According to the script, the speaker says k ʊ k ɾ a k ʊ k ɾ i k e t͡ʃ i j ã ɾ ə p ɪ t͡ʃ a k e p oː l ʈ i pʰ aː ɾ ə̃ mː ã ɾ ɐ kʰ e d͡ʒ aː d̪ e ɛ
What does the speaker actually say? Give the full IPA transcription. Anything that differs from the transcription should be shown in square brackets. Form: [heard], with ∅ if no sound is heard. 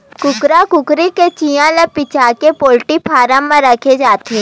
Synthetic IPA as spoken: k ʊ k ɾ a k ʊ k ɾ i k e t͡ʃ i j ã [l] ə p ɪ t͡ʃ a k e p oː l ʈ i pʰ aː ɾ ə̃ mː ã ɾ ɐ kʰ e d͡ʒ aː [t̪] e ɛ